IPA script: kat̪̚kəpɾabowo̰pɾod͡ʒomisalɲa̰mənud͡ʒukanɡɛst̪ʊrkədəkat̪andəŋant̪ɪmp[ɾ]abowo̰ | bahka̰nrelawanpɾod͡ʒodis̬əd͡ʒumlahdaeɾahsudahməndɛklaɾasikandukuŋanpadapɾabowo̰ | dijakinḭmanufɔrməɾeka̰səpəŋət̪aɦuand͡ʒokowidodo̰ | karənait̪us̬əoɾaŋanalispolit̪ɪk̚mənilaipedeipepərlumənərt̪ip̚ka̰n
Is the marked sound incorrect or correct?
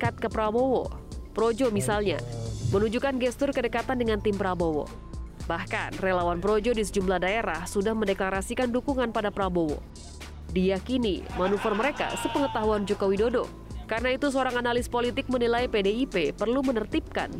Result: correct